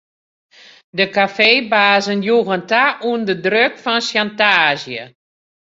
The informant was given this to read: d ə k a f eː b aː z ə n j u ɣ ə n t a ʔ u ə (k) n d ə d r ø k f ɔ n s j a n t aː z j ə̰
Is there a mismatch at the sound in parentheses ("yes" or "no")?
yes